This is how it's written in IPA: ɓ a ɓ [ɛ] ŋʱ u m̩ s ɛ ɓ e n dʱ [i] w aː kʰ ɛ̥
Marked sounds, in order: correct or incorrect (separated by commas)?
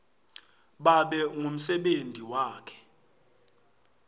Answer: correct, correct